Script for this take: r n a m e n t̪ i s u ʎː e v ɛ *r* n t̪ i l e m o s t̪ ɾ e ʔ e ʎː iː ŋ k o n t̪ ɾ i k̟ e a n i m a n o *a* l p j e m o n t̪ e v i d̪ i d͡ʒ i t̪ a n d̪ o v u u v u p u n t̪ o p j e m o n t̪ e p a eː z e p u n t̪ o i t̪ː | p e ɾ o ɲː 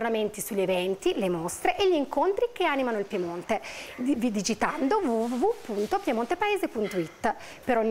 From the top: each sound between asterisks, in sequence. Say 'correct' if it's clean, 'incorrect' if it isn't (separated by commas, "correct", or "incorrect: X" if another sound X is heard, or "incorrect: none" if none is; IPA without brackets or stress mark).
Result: incorrect: none, incorrect: i